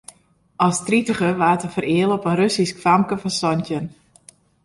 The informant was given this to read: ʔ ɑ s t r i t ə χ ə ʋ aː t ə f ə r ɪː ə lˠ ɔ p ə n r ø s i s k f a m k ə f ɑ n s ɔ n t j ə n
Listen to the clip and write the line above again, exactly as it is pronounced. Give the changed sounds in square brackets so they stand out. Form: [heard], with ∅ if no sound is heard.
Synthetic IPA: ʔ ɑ s t r i t ə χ ə ʋ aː t ə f ə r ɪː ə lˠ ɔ p ə n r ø s i s k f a m k ə f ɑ n s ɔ n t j ə n